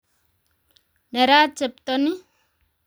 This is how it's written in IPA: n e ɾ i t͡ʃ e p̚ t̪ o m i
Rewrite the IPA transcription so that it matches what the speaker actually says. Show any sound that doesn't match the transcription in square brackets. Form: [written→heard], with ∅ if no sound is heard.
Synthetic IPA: n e ɾ [i→a] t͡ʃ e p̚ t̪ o [m→n] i